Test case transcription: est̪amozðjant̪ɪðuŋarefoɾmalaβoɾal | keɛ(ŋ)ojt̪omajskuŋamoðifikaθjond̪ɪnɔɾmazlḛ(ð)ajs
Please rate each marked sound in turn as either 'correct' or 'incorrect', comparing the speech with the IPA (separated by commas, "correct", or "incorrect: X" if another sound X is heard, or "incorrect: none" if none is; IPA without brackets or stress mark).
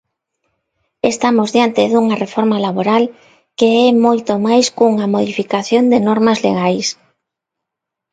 incorrect: m, incorrect: ɣ